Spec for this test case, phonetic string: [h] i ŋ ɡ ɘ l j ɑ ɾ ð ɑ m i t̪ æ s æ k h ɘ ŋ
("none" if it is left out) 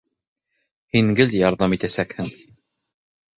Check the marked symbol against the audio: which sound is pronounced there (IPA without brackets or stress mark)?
h